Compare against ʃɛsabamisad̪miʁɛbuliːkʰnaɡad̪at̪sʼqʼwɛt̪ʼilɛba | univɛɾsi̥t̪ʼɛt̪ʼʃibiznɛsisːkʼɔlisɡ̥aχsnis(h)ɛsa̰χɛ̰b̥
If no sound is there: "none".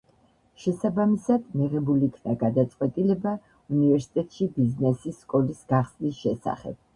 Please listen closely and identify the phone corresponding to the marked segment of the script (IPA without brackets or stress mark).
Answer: ʃ